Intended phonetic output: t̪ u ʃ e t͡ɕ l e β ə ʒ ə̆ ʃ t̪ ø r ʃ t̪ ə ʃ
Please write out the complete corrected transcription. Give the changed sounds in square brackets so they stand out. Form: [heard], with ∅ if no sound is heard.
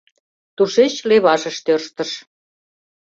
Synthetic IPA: t̪ u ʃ e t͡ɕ l e β [ɑ] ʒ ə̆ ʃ t̪ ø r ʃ t̪ ə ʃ